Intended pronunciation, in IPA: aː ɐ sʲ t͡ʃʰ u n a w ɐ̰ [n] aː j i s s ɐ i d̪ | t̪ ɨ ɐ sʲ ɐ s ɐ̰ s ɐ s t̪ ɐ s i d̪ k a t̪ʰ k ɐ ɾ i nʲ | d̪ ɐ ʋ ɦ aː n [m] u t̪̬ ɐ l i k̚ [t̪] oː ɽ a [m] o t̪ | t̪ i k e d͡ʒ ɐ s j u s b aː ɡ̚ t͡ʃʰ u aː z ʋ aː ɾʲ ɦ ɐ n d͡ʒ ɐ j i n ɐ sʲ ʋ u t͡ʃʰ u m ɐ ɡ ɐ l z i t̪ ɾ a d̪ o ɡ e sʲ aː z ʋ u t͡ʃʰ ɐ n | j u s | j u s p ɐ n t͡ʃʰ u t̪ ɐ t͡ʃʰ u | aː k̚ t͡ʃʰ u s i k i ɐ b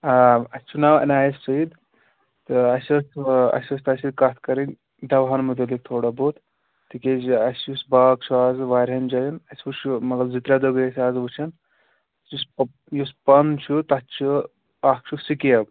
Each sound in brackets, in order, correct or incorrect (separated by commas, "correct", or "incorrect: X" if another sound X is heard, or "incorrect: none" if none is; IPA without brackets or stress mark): correct, correct, incorrect: t̪ʰ, incorrect: b